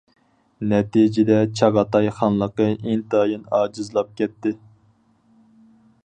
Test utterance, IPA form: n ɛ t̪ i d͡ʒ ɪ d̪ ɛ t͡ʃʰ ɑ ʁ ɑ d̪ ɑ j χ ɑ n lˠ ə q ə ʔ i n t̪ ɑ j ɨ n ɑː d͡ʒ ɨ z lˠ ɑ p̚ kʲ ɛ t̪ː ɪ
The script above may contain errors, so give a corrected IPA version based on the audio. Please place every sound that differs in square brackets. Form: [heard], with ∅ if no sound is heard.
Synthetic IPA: n ɛ t̪ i d͡ʒ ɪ d̪ ɛ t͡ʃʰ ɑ ʁ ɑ [t̪] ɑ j χ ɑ n lˠ ə q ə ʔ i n t̪ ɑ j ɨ n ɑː d͡ʒ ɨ z lˠ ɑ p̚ kʲ ɛ t̪ː ɪ